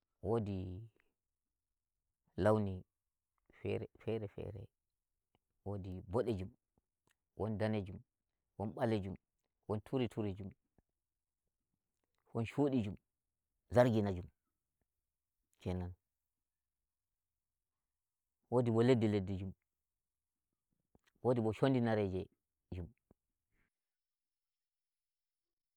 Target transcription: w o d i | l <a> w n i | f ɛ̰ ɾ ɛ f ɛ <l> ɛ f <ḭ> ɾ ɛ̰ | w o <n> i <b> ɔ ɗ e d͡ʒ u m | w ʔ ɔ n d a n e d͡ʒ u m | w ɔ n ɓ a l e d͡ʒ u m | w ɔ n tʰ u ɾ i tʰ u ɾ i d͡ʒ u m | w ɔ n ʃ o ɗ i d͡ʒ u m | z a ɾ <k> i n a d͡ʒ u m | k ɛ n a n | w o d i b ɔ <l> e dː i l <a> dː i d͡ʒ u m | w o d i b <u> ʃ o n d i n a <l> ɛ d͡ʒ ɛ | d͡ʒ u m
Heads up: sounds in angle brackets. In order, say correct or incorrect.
correct, incorrect, incorrect, incorrect, correct, incorrect, correct, incorrect, incorrect, incorrect

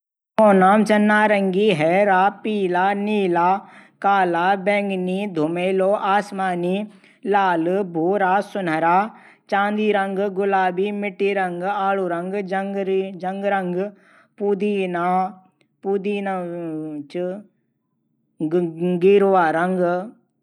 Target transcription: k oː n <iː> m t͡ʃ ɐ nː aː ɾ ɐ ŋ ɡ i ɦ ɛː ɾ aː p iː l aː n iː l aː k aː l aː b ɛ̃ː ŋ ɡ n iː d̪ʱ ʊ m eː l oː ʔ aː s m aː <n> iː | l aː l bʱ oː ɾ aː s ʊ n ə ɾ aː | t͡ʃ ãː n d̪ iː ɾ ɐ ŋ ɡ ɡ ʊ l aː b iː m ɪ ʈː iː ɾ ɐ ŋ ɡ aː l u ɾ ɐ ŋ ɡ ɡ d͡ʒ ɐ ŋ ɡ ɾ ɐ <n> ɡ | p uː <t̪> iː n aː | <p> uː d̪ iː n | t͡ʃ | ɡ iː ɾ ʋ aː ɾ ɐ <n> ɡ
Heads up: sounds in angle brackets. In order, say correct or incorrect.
incorrect, correct, incorrect, incorrect, correct, incorrect

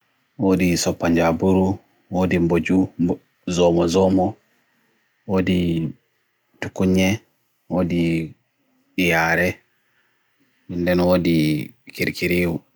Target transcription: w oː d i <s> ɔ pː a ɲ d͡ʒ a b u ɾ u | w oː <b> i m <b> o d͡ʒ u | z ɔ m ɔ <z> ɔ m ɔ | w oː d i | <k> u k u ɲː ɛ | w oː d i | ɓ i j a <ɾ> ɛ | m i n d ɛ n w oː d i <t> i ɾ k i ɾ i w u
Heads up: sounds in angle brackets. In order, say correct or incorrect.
correct, incorrect, correct, correct, incorrect, correct, incorrect

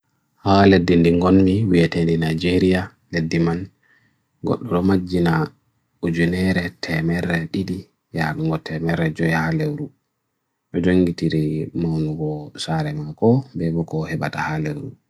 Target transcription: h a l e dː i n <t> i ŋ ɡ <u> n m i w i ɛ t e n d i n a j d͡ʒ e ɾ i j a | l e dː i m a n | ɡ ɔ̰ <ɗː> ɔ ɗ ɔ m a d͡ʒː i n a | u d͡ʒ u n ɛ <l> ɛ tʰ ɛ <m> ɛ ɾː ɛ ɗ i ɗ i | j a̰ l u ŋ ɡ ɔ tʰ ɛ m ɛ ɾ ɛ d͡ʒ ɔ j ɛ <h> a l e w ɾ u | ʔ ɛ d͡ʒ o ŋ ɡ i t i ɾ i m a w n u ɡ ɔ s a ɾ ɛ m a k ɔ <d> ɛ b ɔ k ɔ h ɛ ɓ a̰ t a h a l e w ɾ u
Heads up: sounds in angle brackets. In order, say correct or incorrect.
incorrect, incorrect, correct, incorrect, correct, correct, incorrect

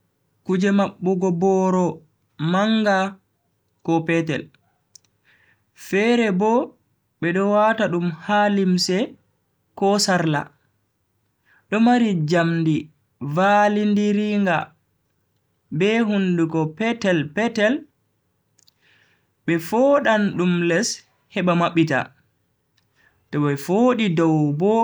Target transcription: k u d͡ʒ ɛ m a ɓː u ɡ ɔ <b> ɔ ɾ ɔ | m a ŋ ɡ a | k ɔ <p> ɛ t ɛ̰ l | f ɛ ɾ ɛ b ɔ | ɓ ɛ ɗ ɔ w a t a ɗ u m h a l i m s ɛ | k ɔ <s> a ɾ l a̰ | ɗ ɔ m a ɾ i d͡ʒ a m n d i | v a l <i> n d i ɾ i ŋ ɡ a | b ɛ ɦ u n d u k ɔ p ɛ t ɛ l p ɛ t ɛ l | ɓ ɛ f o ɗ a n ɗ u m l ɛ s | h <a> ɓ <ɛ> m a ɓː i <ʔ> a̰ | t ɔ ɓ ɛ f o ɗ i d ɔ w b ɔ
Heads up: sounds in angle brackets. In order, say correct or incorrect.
correct, correct, correct, correct, incorrect, incorrect, incorrect

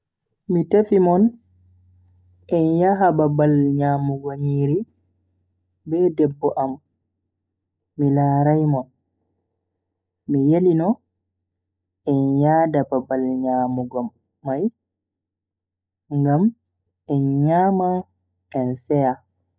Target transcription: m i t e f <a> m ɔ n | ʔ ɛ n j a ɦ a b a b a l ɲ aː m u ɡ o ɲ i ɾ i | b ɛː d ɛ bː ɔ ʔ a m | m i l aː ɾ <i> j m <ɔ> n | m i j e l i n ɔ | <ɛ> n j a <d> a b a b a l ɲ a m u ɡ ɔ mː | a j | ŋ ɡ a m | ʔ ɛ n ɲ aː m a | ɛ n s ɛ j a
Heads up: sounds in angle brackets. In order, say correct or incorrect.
incorrect, incorrect, correct, correct, correct

